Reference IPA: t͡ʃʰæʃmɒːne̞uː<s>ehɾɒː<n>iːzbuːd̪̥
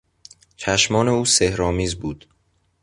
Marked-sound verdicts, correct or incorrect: correct, incorrect

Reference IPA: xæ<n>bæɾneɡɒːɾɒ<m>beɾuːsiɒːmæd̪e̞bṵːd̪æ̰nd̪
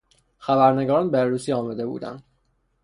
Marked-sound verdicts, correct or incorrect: incorrect, incorrect

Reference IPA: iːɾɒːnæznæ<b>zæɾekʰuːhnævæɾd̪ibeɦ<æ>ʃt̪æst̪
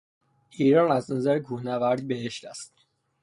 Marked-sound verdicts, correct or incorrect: incorrect, incorrect

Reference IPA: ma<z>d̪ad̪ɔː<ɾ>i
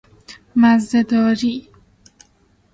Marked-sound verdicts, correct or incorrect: correct, correct

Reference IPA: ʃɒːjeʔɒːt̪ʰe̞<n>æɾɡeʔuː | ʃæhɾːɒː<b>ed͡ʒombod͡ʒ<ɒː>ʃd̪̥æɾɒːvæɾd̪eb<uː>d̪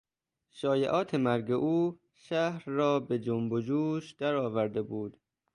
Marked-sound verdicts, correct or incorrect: incorrect, correct, incorrect, correct

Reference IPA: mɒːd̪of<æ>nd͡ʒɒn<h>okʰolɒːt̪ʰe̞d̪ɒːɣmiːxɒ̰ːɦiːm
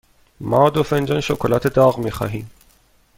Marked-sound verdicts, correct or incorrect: incorrect, incorrect

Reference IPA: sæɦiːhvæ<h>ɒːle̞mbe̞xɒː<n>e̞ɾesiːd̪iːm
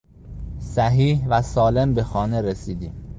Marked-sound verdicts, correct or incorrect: incorrect, correct

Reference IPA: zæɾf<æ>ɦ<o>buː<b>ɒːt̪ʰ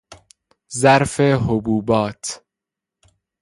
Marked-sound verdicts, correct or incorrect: incorrect, correct, correct

